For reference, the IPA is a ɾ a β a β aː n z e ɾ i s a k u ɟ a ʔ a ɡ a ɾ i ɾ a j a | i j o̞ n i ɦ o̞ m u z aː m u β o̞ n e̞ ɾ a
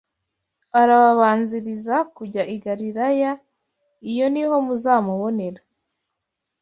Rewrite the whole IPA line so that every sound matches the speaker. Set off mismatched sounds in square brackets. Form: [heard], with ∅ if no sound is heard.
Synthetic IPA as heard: a ɾ a β a β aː n z [i] ɾ i [z] a k u ɟ a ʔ [i] ɡ a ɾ i ɾ a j a | i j o̞ n i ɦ o̞ m u z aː m u β o̞ n e̞ ɾ a